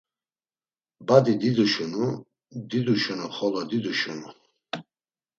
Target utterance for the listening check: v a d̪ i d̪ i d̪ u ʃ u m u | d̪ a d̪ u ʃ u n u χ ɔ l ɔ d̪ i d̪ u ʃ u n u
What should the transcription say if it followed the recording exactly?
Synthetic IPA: b a d̪ i d̪ i d̪ u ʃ u n u | d̪ i d̪ u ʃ u n u χ ɔ l ɔ d̪ i d̪ u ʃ u n u

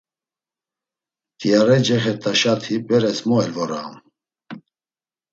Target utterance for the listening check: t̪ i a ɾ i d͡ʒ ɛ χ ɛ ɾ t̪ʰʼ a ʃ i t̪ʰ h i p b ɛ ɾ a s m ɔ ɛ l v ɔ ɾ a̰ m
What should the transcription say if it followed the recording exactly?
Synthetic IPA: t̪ i a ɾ ɛ d͡ʒ ɛ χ ɛ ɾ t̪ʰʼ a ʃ a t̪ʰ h i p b ɛ ɾ ɛ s m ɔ ɛ l v ɔ ɾ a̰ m

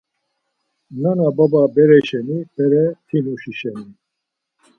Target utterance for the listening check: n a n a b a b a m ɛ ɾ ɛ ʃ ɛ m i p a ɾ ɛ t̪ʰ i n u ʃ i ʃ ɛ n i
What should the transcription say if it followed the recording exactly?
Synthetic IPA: n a n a b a b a b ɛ ɾ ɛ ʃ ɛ n i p ɛ ɾ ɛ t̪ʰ i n u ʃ i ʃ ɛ n i

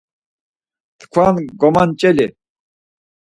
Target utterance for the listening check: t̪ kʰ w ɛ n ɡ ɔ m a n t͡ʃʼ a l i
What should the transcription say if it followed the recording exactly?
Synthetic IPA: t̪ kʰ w a n ɡ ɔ m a n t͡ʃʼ ɛ l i

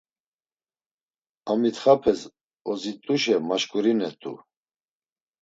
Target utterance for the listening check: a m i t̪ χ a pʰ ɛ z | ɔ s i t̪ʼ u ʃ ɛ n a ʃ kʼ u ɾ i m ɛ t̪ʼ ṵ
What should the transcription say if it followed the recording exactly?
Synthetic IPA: a m i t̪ χ a pʰ ɛ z | ɔ z i t̪ʼ u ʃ ɛ m a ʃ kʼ u ɾ i n ɛ t̪ʼ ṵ

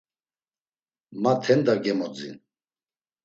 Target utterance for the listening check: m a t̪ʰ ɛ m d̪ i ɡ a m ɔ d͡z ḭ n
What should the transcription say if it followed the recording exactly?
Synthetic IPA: m a t̪ʰ ɛ n d̪ a ɡ ɛ m ɔ d͡z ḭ n

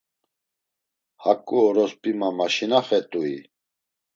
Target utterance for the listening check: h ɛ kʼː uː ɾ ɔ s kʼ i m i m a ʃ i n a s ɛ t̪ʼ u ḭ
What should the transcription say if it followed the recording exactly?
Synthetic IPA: h a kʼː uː ɾ ɔ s pʼ i m a m a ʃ i n a χ ɛ t̪ʼ u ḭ

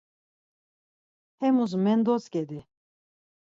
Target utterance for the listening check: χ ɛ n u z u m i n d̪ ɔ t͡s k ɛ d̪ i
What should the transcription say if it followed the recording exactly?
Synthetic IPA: h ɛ m u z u m ɛ n d̪ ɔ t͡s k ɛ d̪ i

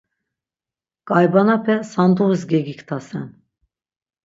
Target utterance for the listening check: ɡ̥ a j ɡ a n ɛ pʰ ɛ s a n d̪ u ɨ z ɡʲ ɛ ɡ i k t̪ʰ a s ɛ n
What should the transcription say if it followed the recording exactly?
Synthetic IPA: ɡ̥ a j b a n a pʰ ɛ s a n d̪ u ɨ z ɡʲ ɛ ɡ i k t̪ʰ a s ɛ n

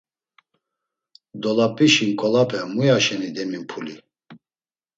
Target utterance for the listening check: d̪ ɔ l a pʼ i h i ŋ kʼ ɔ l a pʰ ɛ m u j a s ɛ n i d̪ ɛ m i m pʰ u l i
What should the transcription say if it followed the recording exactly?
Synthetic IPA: d̪ ɔ l a pʼ i ʃ i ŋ kʼ ɔ l a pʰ ɛ m u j a ʃ ɛ n i d̪ ɛ m i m pʰ u l i

